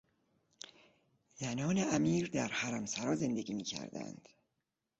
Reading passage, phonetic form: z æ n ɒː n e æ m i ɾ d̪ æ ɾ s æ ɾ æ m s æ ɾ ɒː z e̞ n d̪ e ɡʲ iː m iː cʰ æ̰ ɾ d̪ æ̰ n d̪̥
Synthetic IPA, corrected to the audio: z æ n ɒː n e æ m iː ɾ d̪ æ ɾ h æ ɾ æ m s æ ɾ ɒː z e̞ n d̪ e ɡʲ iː m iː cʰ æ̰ ɾ d̪ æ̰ n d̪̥

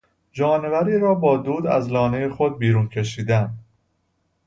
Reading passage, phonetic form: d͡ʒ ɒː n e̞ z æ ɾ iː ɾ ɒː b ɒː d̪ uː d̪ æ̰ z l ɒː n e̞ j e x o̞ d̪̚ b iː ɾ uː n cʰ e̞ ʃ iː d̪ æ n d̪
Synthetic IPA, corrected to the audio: d͡ʒ ɒː n e̞ v æ ɾ iː ɾ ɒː b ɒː d̪ uː d̪ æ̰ z l ɒː n e̞ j e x o̞ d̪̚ b iː ɾ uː n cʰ e̞ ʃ iː d̪ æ n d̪

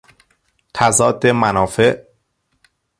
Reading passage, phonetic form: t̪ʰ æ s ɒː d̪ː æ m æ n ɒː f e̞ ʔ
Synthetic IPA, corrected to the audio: t̪ʰ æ z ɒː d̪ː e m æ n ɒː f e̞ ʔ

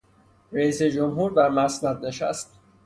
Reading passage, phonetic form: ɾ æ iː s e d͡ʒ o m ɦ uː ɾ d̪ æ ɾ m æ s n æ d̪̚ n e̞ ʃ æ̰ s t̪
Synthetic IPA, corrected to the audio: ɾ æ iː s e d͡ʒ o m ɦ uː ɾ d̪ æ ɾ m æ s n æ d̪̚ n e̞ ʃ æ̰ s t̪

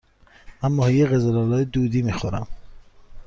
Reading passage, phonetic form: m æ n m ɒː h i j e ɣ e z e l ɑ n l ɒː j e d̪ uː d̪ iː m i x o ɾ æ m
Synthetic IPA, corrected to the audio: m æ n m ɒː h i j e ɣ e z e l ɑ l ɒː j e d̪ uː d̪ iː m i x o ɾ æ m

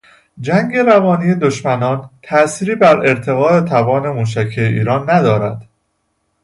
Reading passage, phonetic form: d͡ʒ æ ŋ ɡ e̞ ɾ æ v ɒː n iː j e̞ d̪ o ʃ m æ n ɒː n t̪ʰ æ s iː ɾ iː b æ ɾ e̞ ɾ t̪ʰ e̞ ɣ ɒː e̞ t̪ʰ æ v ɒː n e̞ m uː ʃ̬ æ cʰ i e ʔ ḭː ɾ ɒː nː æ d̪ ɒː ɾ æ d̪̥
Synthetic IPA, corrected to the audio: d͡ʒ æ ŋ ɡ e̞ ɾ æ v ɒː n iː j e̞ d̪ o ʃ m æ n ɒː n t̪ʰ æ s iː ɾ iː b æ ɾ e̞ ɾ t̪ʰ e̞ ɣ ɒː e̞ t̪ʰ æ v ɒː n e̞ m uː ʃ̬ æ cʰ i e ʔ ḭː ɾ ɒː nː æ d̪ ɒː ɾ æ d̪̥

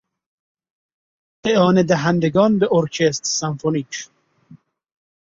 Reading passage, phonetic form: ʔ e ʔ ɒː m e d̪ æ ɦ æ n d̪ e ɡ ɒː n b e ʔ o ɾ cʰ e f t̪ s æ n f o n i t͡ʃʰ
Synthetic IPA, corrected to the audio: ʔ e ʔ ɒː n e d̪ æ ɦ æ n d̪ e ɡ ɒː n b e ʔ o ɾ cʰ e s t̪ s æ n f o n i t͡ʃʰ

